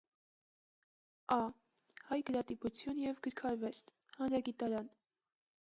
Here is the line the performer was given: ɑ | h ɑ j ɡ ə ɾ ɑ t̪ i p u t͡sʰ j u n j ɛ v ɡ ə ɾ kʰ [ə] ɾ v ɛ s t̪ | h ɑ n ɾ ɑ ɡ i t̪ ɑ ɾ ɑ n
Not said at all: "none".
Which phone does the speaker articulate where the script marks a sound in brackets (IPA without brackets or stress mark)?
ɑ